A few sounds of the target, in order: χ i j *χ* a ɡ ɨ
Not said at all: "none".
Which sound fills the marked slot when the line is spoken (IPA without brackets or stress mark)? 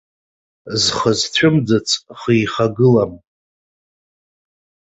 χ